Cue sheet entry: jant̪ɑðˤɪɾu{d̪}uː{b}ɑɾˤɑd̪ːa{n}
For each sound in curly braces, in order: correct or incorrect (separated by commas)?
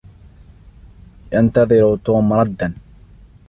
incorrect, incorrect, correct